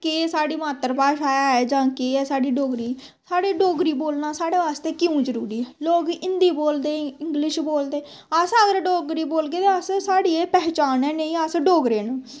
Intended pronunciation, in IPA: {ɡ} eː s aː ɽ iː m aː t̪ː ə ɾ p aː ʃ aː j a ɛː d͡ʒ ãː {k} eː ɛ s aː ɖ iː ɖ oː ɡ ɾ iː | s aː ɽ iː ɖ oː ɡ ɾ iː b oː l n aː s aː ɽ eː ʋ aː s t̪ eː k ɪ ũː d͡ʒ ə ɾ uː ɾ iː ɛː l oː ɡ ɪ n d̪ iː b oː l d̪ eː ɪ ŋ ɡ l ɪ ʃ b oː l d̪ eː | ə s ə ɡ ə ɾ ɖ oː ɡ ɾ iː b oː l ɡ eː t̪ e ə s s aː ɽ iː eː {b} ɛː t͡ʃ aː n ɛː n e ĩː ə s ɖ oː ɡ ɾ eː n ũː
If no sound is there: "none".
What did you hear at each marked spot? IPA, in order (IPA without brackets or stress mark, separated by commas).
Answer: k, k, p